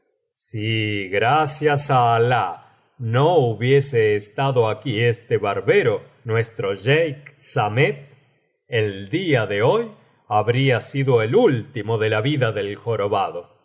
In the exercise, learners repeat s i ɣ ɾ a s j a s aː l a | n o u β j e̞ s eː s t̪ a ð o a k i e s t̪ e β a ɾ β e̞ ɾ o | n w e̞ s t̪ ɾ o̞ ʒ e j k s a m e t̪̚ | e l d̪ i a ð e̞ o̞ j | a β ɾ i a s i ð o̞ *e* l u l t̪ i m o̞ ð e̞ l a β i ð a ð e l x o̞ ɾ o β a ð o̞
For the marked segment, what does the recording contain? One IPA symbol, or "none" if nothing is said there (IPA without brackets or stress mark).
e